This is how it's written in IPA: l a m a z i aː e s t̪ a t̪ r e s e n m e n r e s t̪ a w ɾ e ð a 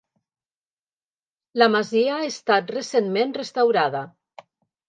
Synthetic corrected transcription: l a m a z i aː e s t̪ a t̪ r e s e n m e n r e s t̪ a w ɾ a ð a